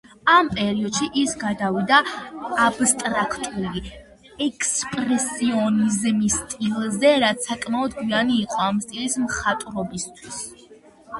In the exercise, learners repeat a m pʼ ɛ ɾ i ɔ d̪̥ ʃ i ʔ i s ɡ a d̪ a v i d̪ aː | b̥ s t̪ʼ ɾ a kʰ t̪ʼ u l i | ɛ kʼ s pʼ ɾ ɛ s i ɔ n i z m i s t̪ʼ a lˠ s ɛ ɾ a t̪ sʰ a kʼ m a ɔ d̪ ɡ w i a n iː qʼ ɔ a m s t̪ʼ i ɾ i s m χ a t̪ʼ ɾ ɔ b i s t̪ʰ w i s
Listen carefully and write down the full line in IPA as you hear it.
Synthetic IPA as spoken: a m pʼ ɛ ɾ i ɔ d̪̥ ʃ i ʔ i s ɡ a d̪ a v i d̪ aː | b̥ s t̪ʼ ɾ a kʰ t̪ʼ u l i | ɛ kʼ s pʼ ɾ ɛ s i ɔ n i z m i s t̪ʼ i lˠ z ɛ ɾ a t̪ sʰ a kʼ m a ɔ d̪ ɡ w i a n iː qʼ ɔ a m s t̪ʼ i l i s m χ a t̪ʼ ɾ ɔ b i s t̪ʰ w i s